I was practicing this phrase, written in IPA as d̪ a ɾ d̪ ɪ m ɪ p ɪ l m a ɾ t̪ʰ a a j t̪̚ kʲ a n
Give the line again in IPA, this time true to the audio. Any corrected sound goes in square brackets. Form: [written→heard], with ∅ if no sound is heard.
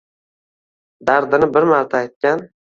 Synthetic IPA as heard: d̪ a ɾ d̪ ɪ [m→n] ɪ [p→b] ɪ [l→ɾ] m a ɾ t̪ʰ a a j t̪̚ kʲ a n